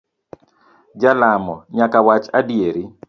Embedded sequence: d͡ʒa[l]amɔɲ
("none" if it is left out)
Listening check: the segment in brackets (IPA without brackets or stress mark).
l